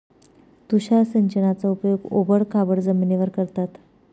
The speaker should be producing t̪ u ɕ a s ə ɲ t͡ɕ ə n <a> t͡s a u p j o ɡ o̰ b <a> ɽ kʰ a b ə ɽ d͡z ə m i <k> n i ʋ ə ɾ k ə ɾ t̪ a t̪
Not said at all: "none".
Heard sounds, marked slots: a, ə, none

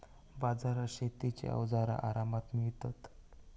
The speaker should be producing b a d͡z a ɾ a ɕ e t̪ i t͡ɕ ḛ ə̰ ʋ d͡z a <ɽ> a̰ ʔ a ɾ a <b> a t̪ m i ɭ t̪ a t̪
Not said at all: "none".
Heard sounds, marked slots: ɾ, m

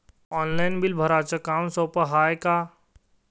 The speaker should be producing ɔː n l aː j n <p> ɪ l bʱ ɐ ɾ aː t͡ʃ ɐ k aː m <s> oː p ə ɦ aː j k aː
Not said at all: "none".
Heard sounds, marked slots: b, s

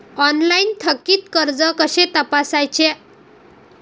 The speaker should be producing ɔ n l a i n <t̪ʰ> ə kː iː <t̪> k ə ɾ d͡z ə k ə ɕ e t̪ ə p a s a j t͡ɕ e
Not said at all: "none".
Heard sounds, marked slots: t̪ʰ, t̪

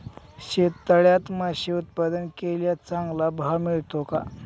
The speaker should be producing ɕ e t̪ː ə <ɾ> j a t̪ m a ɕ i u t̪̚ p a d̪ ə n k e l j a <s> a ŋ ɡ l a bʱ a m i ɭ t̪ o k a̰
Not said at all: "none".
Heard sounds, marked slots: ɭ, t͡s

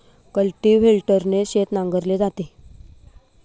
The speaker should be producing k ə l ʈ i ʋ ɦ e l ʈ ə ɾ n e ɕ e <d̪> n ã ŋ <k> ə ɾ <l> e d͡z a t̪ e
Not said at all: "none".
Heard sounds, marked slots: t̪, ɡ, l

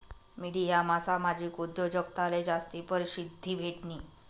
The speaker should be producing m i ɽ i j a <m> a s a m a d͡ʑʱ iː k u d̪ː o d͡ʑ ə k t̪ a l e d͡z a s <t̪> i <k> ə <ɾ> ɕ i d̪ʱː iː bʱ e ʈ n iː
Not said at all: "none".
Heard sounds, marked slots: m, t̪, p, ɾ

